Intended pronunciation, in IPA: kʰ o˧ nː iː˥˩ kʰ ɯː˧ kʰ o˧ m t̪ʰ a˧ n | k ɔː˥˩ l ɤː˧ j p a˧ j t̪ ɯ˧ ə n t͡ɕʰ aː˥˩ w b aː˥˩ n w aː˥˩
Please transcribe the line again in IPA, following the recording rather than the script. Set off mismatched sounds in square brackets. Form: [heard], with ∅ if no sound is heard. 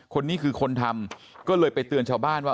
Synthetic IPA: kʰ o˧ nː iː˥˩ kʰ ɯː˧ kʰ o˧ [n] t̪ʰ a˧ [m] | k ɔː˥˩ l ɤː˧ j p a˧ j t̪ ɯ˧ ə n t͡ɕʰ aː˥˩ w b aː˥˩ n w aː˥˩